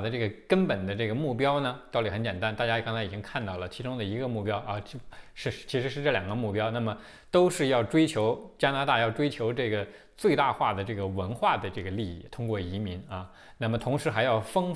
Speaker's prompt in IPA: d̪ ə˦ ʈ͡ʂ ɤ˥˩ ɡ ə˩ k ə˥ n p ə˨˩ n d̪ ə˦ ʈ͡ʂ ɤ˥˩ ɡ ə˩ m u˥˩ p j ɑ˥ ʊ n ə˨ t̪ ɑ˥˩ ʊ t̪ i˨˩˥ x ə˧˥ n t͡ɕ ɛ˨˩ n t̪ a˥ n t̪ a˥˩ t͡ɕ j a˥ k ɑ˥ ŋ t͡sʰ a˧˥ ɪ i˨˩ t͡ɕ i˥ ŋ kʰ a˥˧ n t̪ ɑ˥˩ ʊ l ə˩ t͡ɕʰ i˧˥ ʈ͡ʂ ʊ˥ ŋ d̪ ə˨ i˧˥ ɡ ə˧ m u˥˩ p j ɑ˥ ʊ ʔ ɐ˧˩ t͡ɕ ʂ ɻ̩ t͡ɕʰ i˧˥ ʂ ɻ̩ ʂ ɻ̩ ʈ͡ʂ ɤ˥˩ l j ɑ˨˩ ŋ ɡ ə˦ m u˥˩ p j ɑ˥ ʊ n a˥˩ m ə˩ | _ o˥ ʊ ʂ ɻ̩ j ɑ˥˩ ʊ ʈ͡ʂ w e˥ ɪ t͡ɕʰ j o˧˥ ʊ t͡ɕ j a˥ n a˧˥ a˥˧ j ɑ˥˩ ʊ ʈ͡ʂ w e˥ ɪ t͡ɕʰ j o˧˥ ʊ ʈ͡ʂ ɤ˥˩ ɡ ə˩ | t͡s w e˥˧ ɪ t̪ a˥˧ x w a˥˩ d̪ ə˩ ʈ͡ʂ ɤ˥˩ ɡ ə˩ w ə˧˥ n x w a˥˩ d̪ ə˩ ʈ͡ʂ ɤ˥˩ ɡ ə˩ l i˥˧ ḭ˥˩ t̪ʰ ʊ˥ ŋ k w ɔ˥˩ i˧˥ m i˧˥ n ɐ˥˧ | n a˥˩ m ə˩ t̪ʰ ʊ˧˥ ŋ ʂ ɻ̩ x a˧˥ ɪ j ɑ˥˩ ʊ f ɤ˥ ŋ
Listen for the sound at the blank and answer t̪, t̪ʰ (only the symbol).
t̪